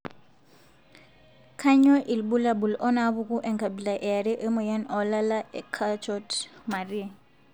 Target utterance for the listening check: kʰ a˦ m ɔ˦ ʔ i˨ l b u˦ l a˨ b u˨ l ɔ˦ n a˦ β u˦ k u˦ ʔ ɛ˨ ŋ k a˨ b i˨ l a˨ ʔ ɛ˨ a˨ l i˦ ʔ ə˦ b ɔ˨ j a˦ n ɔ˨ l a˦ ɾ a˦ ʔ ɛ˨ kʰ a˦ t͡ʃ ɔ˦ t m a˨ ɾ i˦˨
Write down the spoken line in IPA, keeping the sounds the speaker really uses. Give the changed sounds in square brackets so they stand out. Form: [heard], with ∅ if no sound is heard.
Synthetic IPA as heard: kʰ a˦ [ɲ] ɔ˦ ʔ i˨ l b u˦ l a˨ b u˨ l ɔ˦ n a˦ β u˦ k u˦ ʔ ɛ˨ ŋ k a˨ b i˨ l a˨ ʔ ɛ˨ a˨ [ɾ] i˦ ʔ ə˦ [m] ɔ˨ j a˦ n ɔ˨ l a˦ [l] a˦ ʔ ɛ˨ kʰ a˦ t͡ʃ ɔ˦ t m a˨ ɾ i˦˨

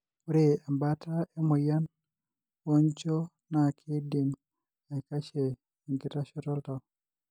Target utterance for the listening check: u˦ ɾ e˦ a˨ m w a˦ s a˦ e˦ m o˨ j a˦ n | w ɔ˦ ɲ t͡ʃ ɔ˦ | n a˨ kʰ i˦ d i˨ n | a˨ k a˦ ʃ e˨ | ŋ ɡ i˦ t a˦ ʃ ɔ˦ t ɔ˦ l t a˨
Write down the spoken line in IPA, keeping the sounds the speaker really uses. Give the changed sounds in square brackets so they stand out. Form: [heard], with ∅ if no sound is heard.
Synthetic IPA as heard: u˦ ɾ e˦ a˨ m [b] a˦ [t] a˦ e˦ m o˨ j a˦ n | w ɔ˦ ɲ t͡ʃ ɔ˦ | n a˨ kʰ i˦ d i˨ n | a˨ k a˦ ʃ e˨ | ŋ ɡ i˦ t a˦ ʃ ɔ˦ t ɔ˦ l t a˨

